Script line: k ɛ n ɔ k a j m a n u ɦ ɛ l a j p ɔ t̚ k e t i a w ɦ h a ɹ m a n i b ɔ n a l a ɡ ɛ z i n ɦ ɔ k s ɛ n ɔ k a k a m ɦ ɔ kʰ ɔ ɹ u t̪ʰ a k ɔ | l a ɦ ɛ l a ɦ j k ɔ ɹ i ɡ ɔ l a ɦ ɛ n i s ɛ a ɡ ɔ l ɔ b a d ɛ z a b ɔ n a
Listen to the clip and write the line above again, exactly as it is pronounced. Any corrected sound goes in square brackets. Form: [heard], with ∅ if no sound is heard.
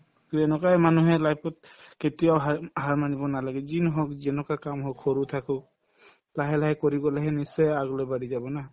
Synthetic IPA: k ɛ n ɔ k a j m a n u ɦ ɛ l a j p ɔ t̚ k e t i a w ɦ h a ɹ m a n i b ɔ n a l a ɡ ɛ z i n ɦ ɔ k [z] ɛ n ɔ k a k a m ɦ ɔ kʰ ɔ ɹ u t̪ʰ a k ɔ | l a ɦ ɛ l a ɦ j k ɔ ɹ i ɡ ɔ l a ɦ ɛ n i s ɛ a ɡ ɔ l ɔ b a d [i] z a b ɔ n a